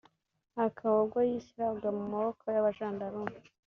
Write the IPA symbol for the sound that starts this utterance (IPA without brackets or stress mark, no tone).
a